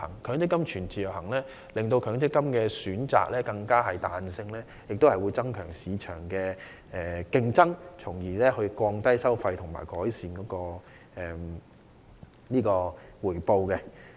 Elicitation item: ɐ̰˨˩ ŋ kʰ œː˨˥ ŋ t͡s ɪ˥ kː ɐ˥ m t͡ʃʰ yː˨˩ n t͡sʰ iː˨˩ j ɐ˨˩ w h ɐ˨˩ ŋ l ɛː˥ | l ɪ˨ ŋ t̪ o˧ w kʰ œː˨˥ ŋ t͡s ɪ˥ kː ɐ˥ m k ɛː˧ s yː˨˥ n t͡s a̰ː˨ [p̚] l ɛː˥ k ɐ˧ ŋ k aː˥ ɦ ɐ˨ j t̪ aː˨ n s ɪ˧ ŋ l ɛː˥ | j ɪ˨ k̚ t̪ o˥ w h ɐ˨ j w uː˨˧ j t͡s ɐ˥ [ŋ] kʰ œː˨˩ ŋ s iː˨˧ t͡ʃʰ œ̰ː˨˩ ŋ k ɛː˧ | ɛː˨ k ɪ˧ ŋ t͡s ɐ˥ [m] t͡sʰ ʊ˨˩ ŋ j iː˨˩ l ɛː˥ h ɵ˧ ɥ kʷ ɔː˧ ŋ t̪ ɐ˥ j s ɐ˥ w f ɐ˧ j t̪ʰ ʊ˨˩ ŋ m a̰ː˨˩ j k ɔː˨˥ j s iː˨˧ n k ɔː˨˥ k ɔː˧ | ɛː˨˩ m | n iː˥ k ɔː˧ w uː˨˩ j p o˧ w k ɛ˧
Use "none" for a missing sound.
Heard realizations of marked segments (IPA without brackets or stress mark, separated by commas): k̚, ŋ, ŋ